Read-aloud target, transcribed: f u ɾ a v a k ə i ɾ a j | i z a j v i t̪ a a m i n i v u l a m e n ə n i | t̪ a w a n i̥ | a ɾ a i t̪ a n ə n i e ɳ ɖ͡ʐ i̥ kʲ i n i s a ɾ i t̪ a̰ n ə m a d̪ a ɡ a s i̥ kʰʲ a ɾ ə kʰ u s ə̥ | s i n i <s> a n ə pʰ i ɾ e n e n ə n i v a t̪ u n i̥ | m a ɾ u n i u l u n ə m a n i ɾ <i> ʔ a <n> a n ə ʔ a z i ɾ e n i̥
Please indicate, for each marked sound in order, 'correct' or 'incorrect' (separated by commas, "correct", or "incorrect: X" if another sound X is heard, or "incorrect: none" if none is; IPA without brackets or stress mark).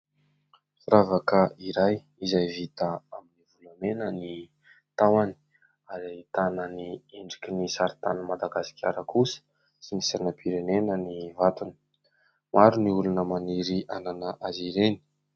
correct, correct, correct